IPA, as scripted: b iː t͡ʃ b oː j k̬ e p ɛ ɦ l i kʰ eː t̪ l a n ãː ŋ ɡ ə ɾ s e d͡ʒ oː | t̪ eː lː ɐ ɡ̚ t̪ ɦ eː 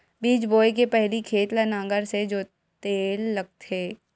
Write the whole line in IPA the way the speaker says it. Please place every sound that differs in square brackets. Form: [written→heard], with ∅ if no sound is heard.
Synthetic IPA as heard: b iː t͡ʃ b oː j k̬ e p ɛ ɦ l i kʰ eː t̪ l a n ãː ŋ ɡ ə ɾ s e d͡ʒ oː | t̪ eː lː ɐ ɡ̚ t̪ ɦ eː